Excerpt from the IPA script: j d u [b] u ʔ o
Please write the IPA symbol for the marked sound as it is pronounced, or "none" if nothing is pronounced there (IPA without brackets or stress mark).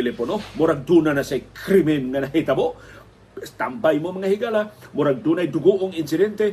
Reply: ɡ